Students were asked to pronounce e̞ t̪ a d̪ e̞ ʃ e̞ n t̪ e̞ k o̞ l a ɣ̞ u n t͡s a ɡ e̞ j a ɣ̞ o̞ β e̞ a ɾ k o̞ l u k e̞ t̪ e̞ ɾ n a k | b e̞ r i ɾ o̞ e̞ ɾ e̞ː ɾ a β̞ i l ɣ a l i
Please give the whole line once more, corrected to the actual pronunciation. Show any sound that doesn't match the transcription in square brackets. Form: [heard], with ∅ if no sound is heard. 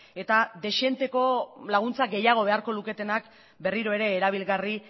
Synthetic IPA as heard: e̞ t̪ a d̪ e̞ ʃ e̞ n t̪ e̞ k o̞ l a ɣ̞ u n t͡s a ɡ e̞ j a ɣ̞ o̞ β e̞ a ɾ k o̞ l u k e̞ t̪ e̞ [∅] n a k | b e̞ r i ɾ o̞ e̞ ɾ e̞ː ɾ a β̞ i l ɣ a [r] i